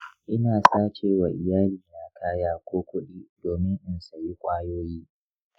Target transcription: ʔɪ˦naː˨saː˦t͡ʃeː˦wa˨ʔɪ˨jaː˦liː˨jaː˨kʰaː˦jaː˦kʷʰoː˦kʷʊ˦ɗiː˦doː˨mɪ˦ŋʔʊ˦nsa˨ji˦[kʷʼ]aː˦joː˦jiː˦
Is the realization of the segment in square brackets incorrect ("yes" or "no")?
no